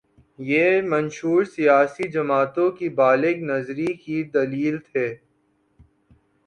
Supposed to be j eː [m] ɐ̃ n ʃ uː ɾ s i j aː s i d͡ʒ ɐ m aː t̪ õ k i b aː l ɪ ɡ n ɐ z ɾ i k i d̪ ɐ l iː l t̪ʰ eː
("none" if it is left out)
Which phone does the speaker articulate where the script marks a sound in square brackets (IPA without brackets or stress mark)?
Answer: m